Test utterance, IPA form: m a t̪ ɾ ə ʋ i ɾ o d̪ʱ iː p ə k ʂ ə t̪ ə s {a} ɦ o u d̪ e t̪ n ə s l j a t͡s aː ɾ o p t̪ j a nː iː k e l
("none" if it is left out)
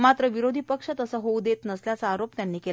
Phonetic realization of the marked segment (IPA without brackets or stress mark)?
ə